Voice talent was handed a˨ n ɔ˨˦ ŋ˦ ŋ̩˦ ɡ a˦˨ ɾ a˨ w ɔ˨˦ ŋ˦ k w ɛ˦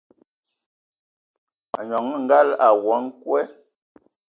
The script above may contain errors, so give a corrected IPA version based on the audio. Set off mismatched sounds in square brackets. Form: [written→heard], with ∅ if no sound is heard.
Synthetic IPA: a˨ [n→ɲ] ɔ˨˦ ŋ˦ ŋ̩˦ ɡ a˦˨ [ɾ→l] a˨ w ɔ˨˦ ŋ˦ k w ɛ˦